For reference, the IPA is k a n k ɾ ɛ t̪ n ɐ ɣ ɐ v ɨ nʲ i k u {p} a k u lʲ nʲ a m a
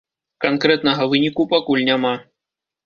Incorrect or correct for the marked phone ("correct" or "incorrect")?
correct